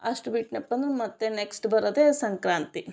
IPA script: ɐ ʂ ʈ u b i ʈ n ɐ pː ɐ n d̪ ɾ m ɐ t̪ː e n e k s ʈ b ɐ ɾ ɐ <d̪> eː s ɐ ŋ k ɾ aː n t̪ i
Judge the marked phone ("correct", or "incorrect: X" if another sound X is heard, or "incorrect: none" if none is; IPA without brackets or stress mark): correct